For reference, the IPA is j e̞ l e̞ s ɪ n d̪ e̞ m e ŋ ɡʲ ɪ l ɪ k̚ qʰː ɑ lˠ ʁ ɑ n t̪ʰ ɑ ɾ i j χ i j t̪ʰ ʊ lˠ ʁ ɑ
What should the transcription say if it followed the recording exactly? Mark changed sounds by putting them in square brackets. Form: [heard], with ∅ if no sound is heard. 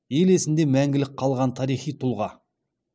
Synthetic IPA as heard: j e̞ l e̞ s ɪ n d̪ e̞ m [æ] ŋ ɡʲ ɪ l ɪ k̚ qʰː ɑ lˠ ʁ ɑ n t̪ʰ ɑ ɾ i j χ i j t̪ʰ ʊ lˠ ʁ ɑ